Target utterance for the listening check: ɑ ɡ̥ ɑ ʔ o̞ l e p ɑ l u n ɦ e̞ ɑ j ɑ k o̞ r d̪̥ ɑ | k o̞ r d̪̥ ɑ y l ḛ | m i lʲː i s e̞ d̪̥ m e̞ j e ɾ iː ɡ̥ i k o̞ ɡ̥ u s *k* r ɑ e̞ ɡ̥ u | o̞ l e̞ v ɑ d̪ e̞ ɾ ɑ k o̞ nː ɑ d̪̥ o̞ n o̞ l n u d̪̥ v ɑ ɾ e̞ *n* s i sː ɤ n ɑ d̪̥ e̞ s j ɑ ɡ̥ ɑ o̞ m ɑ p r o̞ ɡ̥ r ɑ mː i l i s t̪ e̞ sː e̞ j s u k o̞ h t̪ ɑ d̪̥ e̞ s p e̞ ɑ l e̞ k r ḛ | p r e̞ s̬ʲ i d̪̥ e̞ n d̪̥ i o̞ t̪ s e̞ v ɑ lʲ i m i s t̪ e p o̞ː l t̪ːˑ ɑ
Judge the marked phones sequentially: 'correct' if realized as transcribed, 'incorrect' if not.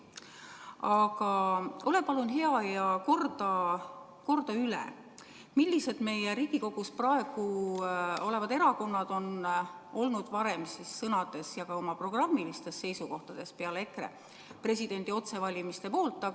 incorrect: p, incorrect: m

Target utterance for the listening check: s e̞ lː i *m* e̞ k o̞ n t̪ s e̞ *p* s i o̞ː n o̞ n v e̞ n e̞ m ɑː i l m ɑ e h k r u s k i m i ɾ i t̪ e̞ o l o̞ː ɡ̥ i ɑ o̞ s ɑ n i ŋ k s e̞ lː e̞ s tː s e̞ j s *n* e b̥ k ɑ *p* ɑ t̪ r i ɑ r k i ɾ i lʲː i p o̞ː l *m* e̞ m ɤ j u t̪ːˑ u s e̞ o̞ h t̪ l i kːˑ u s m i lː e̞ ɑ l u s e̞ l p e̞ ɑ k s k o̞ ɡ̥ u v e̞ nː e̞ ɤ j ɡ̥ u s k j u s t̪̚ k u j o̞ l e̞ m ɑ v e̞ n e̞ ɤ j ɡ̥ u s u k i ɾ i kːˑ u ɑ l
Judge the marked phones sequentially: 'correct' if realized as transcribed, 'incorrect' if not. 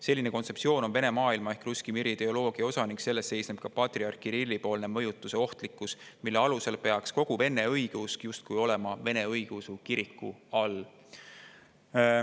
incorrect: n, correct, correct, correct, incorrect: n

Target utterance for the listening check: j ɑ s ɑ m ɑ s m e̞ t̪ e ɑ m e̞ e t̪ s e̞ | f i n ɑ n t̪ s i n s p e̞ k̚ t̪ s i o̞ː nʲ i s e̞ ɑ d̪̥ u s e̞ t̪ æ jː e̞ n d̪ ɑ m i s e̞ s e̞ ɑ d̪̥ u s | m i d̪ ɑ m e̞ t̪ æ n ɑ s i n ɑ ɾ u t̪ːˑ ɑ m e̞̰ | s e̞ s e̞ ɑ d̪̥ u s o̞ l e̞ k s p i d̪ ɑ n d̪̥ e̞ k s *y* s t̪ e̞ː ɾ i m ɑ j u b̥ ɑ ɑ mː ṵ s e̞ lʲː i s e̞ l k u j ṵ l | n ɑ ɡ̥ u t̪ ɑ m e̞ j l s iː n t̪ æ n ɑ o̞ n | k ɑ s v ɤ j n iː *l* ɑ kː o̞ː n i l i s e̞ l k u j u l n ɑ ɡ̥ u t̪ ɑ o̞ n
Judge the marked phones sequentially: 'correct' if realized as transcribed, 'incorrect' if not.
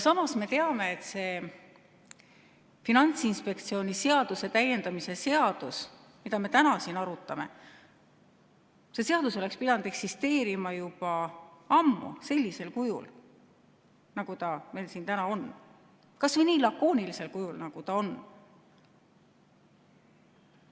incorrect: i, correct

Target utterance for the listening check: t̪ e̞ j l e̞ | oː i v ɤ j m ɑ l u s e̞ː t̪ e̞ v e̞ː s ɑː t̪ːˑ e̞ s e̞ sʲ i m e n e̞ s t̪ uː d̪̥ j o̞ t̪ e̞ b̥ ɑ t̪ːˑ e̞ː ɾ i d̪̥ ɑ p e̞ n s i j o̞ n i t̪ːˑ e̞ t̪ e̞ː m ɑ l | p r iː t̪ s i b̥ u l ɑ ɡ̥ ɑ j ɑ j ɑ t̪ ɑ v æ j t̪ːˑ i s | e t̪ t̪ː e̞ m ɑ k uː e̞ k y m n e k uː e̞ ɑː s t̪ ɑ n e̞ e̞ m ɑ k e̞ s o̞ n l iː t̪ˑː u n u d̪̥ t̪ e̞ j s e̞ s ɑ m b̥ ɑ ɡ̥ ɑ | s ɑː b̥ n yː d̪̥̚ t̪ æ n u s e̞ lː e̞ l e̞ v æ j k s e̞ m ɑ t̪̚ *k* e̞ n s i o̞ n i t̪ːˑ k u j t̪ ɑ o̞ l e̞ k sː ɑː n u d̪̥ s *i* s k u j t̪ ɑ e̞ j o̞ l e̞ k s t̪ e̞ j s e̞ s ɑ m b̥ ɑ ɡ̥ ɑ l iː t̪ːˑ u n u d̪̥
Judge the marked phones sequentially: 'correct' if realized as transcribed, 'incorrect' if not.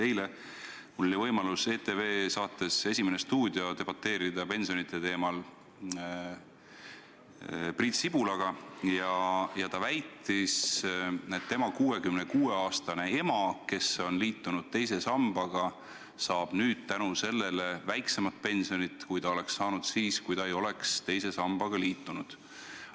incorrect: p, incorrect: iː

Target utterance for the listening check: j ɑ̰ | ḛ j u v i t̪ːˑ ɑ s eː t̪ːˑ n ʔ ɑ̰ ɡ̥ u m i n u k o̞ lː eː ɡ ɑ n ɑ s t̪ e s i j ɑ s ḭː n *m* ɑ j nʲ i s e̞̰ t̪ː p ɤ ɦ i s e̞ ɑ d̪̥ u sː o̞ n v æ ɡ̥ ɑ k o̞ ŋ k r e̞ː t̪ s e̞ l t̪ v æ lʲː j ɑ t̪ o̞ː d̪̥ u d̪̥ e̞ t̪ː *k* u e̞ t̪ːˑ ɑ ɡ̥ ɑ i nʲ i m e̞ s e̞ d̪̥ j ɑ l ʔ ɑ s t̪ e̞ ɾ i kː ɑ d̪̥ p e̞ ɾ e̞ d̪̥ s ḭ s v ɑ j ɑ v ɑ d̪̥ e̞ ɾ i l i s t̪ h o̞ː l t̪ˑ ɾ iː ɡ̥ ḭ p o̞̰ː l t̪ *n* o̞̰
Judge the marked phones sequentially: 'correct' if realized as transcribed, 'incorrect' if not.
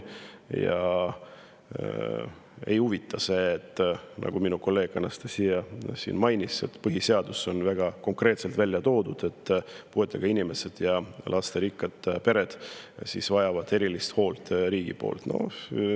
correct, incorrect: p, correct

